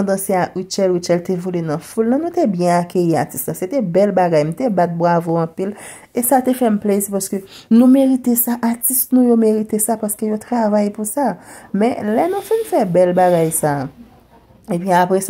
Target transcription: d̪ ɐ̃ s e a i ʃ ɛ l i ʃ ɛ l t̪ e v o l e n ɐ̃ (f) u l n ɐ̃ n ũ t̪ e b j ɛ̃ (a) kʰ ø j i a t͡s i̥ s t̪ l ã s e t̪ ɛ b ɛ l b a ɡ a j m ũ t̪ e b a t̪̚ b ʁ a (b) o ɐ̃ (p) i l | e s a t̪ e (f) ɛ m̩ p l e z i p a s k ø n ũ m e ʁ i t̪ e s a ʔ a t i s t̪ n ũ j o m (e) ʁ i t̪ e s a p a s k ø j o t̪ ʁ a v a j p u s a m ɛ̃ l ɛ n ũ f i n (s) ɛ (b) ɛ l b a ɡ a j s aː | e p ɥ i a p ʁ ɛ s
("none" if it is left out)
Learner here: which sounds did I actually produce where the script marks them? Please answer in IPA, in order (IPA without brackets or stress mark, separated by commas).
f, a, v, p, f, e, f, b